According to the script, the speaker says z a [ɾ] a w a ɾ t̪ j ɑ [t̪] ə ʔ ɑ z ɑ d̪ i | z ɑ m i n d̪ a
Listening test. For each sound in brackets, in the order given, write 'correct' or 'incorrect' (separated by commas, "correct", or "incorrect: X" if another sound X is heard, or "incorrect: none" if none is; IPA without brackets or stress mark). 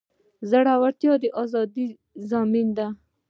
incorrect: ɽ, incorrect: d̪